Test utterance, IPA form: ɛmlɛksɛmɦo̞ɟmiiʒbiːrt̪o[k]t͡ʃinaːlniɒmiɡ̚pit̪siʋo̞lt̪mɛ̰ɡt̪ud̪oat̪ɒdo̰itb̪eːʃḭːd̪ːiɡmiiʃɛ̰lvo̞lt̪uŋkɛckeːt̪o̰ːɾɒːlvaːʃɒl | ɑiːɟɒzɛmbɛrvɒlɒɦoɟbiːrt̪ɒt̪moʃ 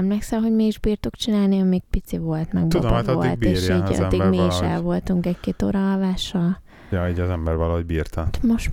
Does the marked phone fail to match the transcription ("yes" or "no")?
no